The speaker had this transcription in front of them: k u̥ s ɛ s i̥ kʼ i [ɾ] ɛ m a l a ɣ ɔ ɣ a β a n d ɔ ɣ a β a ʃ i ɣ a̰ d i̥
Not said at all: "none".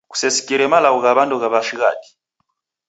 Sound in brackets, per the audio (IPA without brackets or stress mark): ɾ